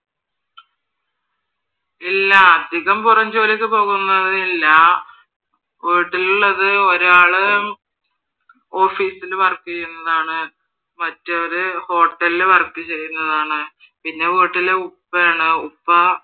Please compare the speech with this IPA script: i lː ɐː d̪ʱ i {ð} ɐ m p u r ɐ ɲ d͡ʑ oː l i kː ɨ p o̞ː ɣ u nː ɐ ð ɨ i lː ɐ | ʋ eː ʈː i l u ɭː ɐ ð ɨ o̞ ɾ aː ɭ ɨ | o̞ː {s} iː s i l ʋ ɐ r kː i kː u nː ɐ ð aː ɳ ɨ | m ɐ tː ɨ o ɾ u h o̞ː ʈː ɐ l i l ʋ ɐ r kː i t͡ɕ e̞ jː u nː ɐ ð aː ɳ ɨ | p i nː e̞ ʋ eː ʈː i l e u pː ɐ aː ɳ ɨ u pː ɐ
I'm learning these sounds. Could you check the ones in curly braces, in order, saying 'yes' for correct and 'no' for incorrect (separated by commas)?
no, no